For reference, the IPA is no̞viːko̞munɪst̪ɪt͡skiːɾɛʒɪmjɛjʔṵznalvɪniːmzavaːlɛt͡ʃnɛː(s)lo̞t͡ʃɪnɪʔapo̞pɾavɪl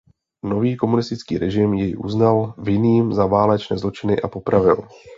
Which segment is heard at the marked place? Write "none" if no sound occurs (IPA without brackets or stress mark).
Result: z